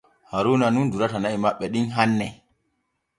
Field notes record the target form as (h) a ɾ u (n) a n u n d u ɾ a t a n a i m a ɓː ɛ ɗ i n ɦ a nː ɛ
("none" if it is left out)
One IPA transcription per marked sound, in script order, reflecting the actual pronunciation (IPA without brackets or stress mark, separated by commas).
h, n